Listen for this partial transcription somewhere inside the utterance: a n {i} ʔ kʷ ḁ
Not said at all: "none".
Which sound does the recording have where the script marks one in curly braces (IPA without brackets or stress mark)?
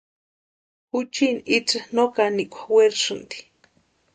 i